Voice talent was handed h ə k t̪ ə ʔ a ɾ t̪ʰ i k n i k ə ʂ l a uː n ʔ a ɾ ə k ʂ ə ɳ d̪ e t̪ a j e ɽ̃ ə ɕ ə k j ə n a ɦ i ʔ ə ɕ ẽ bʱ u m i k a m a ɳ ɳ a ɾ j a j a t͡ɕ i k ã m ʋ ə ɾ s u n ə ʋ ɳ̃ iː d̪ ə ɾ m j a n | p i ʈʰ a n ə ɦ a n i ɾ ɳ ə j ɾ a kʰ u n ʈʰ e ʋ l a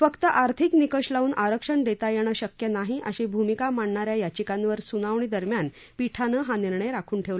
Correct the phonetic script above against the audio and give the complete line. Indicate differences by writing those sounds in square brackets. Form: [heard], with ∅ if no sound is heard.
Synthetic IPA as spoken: [f] ə k t̪ ə ʔ a ɾ t̪ʰ i k n i k ə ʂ l a uː n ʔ a ɾ ə k ʂ ə ɳ d̪ e t̪ a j e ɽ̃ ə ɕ ə k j ə n a ɦ i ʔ ə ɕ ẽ bʱ u m i k a m a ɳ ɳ a ɾ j a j a t͡ɕ i k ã [n] ʋ ə ɾ s u n [a] ʋ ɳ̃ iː d̪ ə ɾ m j a n | p i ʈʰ a n ə ɦ a n i ɾ ɳ ə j ɾ a kʰ [uː] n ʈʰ e ʋ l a